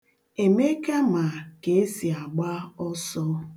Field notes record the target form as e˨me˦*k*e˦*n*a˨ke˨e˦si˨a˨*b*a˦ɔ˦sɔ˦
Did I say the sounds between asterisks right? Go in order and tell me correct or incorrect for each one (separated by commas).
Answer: correct, incorrect, incorrect